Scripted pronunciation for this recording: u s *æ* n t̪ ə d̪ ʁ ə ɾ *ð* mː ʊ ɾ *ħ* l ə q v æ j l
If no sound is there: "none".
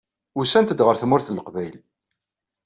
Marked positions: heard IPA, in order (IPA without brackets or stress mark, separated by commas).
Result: æ, θ, θ